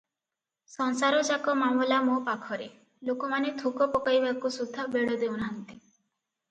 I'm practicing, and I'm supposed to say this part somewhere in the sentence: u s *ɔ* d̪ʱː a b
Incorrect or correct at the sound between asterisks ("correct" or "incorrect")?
incorrect